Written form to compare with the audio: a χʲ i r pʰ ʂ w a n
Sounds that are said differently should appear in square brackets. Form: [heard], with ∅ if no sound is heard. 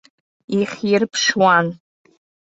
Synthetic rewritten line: [i] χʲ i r pʰ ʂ w a n